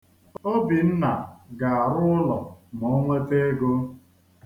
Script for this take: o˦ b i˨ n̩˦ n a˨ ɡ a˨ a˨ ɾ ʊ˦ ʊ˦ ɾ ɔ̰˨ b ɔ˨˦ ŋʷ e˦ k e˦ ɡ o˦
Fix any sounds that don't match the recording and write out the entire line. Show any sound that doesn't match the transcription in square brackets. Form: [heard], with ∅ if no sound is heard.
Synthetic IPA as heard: o˦ b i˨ n̩˦ n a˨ ɡ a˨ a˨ ɾ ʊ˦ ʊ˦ [l] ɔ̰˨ [m] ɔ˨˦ ŋʷ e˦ [t] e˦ ɡ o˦